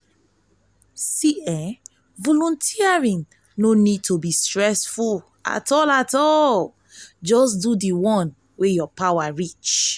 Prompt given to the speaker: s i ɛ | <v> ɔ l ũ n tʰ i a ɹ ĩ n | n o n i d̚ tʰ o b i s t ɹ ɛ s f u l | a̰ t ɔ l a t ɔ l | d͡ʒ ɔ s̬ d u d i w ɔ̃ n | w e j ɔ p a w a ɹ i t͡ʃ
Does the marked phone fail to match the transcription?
no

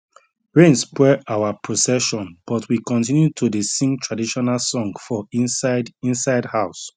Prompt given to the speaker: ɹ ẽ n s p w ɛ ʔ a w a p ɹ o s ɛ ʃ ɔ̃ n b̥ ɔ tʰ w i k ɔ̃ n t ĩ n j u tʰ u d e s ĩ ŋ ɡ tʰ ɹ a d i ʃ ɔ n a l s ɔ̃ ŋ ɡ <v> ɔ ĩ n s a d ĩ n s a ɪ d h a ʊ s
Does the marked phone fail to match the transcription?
yes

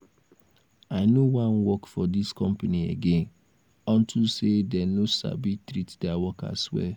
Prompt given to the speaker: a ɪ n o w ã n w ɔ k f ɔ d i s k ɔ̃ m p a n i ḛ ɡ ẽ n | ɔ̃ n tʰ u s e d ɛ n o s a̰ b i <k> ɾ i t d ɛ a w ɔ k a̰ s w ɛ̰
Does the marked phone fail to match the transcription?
yes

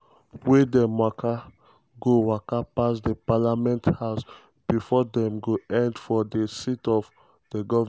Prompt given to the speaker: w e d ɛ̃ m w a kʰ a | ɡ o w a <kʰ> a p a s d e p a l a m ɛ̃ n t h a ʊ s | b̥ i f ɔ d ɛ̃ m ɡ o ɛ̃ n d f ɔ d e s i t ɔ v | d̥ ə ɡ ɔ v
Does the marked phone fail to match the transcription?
yes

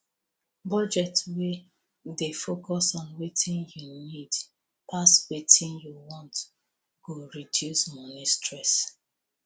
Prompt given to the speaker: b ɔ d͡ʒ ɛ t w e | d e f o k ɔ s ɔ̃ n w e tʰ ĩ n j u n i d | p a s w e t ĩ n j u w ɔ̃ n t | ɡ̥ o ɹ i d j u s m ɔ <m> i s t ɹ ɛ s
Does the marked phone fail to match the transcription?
yes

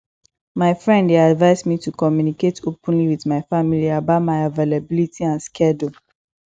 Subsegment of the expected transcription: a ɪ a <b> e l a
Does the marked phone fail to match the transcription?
yes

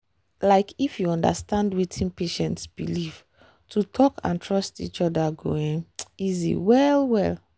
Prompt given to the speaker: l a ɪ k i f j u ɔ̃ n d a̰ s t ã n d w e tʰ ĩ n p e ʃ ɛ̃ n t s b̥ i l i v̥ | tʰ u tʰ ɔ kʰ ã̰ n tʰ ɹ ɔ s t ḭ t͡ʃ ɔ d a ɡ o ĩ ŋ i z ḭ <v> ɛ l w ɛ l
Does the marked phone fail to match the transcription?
yes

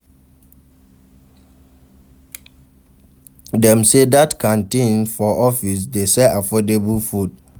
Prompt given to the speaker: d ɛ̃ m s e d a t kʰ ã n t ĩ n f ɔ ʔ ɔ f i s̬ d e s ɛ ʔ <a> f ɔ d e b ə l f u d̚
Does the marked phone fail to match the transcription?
no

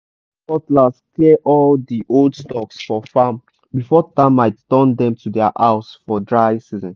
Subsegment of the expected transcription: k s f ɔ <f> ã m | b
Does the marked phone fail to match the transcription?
no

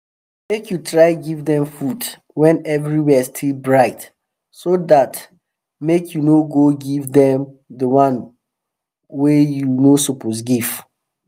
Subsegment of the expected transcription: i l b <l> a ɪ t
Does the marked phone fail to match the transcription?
yes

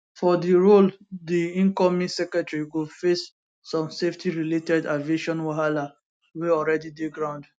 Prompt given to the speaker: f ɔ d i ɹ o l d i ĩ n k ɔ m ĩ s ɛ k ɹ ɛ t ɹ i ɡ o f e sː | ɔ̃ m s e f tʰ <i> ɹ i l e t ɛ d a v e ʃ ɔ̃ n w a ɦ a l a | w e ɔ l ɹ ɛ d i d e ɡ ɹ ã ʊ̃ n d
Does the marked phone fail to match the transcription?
no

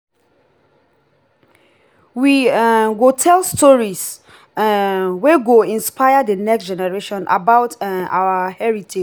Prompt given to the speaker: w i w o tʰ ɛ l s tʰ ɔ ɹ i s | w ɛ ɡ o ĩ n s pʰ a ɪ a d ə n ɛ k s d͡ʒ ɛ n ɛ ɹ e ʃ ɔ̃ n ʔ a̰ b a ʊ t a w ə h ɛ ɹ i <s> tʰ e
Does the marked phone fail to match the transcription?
yes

